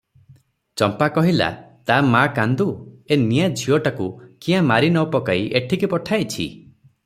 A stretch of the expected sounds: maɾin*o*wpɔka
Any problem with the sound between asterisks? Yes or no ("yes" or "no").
yes